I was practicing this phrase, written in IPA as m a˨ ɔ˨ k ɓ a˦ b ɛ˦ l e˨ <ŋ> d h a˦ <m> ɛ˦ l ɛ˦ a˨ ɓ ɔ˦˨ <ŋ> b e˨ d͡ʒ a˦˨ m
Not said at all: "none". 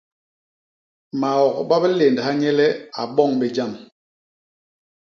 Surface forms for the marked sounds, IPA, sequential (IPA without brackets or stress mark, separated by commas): n, ɲ, ŋ